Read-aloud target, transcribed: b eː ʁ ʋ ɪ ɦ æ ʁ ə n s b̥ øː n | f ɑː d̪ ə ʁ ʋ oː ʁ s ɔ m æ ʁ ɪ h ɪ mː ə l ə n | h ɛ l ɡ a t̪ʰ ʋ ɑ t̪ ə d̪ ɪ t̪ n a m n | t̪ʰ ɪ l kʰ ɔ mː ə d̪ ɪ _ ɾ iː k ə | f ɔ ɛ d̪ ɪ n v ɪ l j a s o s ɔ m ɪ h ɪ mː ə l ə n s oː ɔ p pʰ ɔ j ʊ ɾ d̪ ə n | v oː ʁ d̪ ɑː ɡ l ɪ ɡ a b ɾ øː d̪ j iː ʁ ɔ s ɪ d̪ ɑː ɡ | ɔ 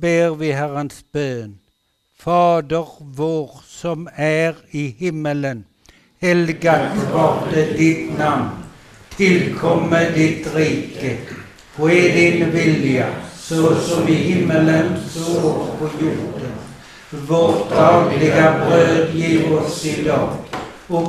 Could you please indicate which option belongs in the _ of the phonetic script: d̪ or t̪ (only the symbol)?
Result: t̪